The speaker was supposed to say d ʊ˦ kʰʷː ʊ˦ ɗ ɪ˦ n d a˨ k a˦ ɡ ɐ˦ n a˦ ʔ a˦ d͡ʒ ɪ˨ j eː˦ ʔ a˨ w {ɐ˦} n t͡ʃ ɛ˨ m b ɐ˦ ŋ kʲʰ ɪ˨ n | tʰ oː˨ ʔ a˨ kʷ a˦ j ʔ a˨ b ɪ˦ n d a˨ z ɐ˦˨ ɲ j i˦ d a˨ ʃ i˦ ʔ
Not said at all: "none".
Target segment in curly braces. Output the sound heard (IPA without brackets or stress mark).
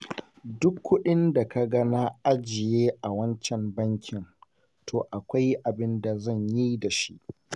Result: ɐ˦